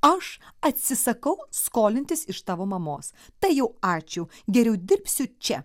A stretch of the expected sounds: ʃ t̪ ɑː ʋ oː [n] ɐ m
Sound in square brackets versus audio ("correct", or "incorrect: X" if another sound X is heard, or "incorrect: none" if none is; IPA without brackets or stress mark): incorrect: m